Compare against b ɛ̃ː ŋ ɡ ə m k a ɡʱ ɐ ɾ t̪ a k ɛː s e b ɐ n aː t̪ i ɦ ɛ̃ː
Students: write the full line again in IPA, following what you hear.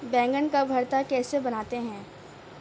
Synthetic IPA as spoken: b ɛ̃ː ŋ ɡ ə n k a bʱ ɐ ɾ t̪ a k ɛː s e b ɐ n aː t̪ e ɦ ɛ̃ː